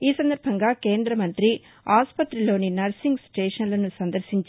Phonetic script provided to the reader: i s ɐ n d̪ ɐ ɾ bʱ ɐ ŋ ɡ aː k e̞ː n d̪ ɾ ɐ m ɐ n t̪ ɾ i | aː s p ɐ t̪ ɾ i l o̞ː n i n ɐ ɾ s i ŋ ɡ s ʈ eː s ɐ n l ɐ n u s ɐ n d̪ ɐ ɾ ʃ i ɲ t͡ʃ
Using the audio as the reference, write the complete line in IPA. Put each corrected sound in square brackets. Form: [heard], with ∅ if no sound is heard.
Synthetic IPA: [iː] s ɐ n d̪ ɐ ɾ bʱ ɐ ŋ ɡ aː k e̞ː n d̪ ɾ ɐ m ɐ n t̪ ɾ i | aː s p ɐ t̪ ɾ i l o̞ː n i n ɐ ɾ s i ŋ ɡ s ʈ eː [ʂ] ɐ n l ɐ n u s ɐ n d̪ ɐ ɾ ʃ i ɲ t͡ʃ